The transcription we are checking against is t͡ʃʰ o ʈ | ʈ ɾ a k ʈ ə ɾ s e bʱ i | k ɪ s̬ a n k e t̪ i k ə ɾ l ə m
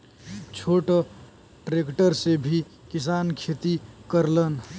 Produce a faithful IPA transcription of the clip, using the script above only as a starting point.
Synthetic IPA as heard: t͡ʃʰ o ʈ | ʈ ɾ e k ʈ ə ɾ s e bʱ i | k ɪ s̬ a n kʰ e t̪ i k ə ɾ l ə n